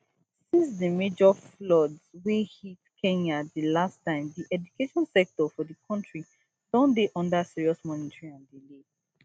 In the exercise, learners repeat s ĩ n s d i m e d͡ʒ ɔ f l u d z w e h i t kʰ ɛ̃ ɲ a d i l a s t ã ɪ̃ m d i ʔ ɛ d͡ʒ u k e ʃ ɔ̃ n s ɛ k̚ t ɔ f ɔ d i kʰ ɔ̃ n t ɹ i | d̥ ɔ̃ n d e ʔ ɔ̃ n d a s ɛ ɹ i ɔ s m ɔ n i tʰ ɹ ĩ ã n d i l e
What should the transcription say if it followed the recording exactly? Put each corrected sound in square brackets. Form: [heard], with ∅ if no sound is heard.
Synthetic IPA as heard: s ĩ n s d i m e d͡ʒ ɔ f l [ɔ] d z w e h i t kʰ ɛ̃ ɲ a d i l a s t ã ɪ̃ m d i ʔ ɛ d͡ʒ u k e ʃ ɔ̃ n s ɛ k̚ t ɔ f ɔ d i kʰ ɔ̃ n t ɹ i | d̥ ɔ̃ n d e ʔ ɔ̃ n d a s [i] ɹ i ɔ s m ɔ n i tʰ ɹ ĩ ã n d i l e